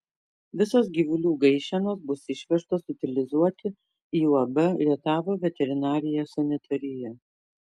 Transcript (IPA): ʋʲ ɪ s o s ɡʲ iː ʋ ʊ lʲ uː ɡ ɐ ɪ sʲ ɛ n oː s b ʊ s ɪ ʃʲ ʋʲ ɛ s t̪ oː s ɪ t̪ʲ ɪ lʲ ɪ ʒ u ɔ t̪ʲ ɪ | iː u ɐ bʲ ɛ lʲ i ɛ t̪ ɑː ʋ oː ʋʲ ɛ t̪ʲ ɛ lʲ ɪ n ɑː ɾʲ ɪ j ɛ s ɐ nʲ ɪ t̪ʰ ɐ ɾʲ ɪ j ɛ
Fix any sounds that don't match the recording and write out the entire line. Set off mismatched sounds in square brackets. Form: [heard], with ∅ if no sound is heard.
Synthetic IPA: ʋʲ ɪ s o s ɡʲ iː ʋ ʊ lʲ uː ɡ ɐ ɪ [ʃʲ] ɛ n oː s b ʊ s ɪ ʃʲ ʋʲ ɛ [ʃ] t̪ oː s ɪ t̪ʲ ɪ lʲ ɪ [z] u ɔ t̪ʲ ɪ | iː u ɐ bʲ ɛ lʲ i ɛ t̪ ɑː ʋ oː ʋʲ ɛ t̪ʲ ɛ [ɾʲ] ɪ n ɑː ɾʲ ɪ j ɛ s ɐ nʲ ɪ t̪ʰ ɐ ɾʲ ɪ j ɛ

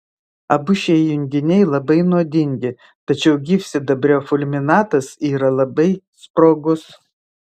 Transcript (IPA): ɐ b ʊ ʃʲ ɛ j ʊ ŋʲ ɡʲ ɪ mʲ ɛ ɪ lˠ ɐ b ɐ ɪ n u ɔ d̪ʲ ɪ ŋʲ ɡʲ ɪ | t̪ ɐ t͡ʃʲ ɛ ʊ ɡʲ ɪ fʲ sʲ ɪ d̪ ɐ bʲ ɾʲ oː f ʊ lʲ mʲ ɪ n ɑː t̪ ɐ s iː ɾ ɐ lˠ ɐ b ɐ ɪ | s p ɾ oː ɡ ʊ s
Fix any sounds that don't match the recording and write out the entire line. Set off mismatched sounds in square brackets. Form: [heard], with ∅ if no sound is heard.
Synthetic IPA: ɐ b ʊ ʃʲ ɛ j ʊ ŋʲ ɡʲ ɪ [nʲ] ɛ ɪ lˠ ɐ b ɐ ɪ n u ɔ d̪ʲ ɪ ŋʲ ɡʲ ɪ | t̪ ɐ t͡ʃʲ ɛ ʊ ɡʲ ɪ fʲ sʲ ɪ d̪ ɐ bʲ ɾʲ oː f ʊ lʲ mʲ ɪ n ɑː t̪ ɐ s iː ɾ ɐ lˠ ɐ b ɐ ɪ | s p ɾ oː ɡ ʊ s

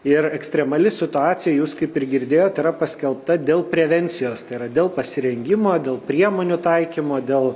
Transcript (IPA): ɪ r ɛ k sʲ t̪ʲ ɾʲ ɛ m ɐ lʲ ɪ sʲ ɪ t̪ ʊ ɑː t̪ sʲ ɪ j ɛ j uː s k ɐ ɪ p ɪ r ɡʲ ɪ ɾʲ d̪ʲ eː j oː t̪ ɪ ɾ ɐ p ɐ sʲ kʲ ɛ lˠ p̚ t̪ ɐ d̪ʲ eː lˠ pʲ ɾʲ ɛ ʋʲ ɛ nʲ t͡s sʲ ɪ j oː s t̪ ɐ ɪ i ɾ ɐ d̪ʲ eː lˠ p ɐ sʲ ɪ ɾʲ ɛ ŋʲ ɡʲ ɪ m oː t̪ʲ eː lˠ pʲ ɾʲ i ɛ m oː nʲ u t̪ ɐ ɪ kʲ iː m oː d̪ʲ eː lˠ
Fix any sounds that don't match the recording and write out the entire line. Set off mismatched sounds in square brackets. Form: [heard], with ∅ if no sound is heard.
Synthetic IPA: ɪ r ɛ k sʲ t̪ʲ ɾʲ ɛ m ɐ lʲ ɪ sʲ ɪ t̪ ʊ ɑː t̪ sʲ ɪ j ɛ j uː s k ɐ ɪ p ɪ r ɡʲ ɪ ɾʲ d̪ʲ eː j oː t̪ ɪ ɾ ɐ p ɐ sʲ kʲ ɛ lˠ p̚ t̪ ɐ d̪ʲ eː lˠ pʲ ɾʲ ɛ ʋʲ ɛ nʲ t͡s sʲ ɪ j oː s t̪ ɐ ɪ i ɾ ɐ d̪ʲ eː lˠ p ɐ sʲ ɪ ɾʲ ɛ ŋʲ ɡʲ ɪ m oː [d̪ʲ] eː lˠ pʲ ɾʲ i ɛ m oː nʲ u t̪ ɐ ɪ kʲ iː m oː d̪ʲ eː lˠ

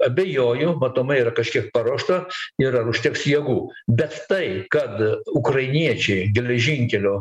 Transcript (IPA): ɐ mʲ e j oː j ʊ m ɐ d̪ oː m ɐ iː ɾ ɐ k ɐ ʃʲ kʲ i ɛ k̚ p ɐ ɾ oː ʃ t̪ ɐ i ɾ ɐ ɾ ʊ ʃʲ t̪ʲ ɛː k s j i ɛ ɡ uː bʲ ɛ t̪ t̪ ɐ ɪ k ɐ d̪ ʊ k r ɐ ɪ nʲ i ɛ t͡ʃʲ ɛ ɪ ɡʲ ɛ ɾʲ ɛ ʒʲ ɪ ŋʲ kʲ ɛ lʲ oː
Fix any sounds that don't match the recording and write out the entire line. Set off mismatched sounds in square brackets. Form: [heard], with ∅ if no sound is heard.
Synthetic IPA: ɐ [bʲ] e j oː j ʊ m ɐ [t̪] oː m ɐ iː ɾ ɐ k ɐ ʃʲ kʲ i ɛ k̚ p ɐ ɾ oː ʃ t̪ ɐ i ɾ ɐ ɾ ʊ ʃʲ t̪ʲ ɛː k s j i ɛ ɡ uː bʲ ɛ t̪ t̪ ɐ ɪ k ɐ [t̪] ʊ k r ɐ ɪ nʲ i ɛ t͡ʃʲ ɛ ɪ ɡʲ ɛ [lʲ] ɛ ʒʲ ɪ ŋʲ kʲ ɛ lʲ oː

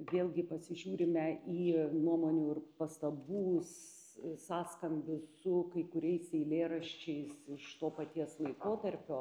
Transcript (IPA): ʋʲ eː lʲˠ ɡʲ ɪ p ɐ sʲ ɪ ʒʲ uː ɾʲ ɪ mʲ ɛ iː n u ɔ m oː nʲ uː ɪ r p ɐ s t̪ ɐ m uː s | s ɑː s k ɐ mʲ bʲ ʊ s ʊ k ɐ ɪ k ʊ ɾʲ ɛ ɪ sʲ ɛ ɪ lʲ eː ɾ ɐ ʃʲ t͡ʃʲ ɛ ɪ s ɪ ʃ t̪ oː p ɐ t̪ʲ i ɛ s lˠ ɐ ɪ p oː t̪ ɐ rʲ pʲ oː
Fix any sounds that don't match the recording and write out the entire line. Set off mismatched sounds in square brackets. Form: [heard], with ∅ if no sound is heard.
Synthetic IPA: ʋʲ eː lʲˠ ɡʲ ɪ p ɐ sʲ ɪ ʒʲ uː ɾʲ ɪ mʲ ɛ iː n u ɔ m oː nʲ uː ɪ r p ɐ s t̪ ɐ [b] uː s | s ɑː s k ɐ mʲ bʲ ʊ s ʊ k ɐ ɪ k ʊ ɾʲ ɛ ɪ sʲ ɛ ɪ lʲ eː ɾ ɐ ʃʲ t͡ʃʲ ɛ ɪ s ɪ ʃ t̪ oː p ɐ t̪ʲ i ɛ s lˠ ɐ ɪ [k] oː t̪ ɐ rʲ pʲ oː

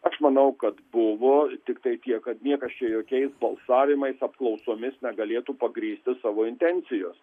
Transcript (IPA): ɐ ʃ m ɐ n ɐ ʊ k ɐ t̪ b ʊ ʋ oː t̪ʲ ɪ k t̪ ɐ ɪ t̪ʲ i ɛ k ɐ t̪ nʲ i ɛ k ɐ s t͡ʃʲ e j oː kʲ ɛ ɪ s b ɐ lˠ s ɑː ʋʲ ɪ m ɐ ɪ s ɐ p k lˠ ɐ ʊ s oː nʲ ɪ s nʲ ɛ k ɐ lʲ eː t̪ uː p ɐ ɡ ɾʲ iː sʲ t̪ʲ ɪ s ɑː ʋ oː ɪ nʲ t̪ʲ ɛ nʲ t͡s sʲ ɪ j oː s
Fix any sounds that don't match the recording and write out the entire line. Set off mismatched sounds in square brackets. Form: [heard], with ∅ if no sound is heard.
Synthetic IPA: ɐ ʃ m ɐ n ɐ ʊ k ɐ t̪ b ʊ ʋ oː t̪ʲ ɪ k t̪ ɐ ɪ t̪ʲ i ɛ k ɐ t̪ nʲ i ɛ k ɐ s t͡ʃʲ [ɛ] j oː kʲ ɛ ɪ s b ɐ lˠ s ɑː ʋʲ ɪ m ɐ ɪ s ɐ p k lˠ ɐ ʊ s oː [mʲ] ɪ s nʲ ɛ [ɡ] ɐ lʲ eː t̪ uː p ɐ ɡ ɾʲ iː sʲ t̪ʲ ɪ s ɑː ʋ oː ɪ nʲ t̪ʲ ɛ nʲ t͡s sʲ ɪ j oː s

